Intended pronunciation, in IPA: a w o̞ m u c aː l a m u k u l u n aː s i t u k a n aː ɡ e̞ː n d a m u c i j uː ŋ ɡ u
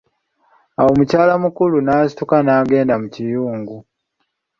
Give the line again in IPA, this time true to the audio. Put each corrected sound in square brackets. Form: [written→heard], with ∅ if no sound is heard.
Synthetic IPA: a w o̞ m u c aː l a m u k u l u n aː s i t u k a n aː ɡ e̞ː n d a m u c i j uː ŋ ɡ u